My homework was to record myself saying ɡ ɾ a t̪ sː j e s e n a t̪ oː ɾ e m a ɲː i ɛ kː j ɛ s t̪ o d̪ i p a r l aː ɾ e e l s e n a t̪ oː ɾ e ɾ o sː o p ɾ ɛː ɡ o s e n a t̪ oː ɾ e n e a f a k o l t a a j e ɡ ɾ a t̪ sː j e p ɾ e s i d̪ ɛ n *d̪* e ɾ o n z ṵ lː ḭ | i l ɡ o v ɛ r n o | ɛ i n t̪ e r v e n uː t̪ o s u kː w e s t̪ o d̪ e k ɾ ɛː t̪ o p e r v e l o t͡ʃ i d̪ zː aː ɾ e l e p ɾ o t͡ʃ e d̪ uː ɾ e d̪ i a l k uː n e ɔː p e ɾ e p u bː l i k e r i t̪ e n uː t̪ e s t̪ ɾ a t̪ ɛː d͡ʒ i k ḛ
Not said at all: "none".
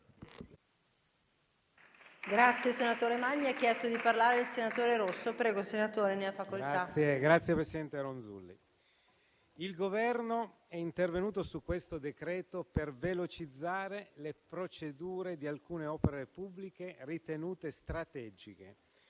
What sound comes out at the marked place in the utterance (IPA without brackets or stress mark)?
t̪